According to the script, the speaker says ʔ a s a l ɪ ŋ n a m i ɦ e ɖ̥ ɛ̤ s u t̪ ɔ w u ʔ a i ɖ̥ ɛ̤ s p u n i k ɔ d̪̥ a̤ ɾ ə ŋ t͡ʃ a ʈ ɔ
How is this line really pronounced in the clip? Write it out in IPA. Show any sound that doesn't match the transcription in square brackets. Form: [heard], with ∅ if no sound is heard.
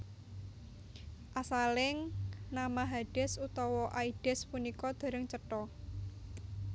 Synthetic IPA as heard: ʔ a s a l ɪ ŋ n a m [a] ɦ [a] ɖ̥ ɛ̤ s u t̪ ɔ w [ɔ] ʔ a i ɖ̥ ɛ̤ s p u n i k ɔ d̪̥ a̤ ɾ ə ŋ t͡ʃ [ə] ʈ ɔ